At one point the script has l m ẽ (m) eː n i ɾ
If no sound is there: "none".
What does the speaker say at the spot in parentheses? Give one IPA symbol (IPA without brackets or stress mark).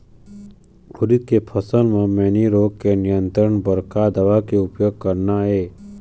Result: m